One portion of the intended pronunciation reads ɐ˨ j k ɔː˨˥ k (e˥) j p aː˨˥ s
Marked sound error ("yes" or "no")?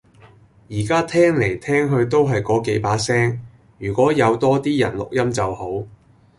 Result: yes